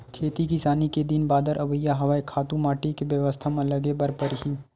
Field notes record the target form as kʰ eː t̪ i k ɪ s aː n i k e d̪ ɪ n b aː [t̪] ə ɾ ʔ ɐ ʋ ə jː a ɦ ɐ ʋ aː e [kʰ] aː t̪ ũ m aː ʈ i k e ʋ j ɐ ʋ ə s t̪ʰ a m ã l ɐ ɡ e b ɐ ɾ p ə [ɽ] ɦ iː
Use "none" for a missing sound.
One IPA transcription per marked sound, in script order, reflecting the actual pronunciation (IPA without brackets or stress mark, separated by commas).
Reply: d̪, kʰ, ɾ